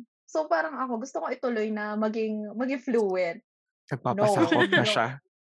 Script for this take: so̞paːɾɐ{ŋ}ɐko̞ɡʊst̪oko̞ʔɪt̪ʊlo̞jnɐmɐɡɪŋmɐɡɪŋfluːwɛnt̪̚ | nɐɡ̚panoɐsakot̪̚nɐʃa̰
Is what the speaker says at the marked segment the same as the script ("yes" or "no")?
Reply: yes